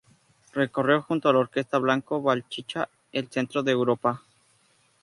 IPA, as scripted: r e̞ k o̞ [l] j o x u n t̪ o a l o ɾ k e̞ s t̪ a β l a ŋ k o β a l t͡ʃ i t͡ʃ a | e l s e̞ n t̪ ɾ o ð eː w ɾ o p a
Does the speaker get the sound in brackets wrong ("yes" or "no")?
yes